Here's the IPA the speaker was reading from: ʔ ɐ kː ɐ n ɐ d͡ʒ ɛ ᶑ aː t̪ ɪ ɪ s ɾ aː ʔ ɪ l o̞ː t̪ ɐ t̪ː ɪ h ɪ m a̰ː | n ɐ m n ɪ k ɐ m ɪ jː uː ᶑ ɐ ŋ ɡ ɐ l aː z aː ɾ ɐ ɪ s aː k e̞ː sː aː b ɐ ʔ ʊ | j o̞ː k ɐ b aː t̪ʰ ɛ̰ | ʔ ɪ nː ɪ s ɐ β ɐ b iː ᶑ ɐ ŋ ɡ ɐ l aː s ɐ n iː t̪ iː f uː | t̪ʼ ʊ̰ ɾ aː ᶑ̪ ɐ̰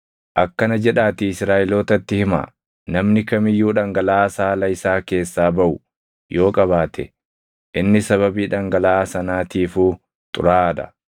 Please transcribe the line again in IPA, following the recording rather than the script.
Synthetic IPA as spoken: ʔ ɐ kː ɐ n ɐ d͡ʒ ɛ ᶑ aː t̪ ɪ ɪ s ɾ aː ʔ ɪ l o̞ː t̪ ɐ t̪ː ɪ h ɪ m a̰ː | n ɐ m n ɪ k ɐ m ɪ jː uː ᶑ ɐ ŋ ɡ ɐ l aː s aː l ɐ ɪ s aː k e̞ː sː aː b ɐ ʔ ʊ | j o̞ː kʼ ɐ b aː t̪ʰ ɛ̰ | ʔ ɪ nː ɪ s ɐ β ɐ b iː ᶑ ɐ ŋ ɡ ɐ l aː s ɐ n aː t̪ iː f uː | t̪ʼ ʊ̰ ɾ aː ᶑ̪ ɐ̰